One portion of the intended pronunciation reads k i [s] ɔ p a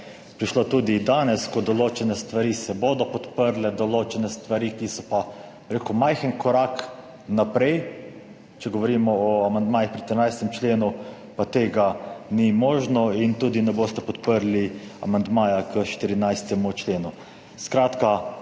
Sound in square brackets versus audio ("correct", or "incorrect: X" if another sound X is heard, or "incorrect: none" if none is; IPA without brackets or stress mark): correct